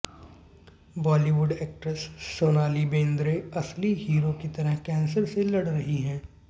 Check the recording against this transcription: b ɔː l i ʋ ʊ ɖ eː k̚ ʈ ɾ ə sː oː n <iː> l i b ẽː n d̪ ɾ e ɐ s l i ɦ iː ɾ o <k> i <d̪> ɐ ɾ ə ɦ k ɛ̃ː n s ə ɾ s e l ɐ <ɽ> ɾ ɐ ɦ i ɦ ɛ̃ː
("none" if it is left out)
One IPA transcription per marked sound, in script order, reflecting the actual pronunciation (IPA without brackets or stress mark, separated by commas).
aː, k, t̪, ɽ